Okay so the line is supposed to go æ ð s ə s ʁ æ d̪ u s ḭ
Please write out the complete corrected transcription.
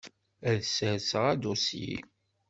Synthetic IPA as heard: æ ð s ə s ʁ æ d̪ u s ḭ